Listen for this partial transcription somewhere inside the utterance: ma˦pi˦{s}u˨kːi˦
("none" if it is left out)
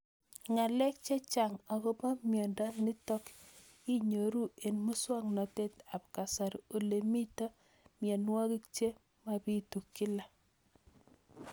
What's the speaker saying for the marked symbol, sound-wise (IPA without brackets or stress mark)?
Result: t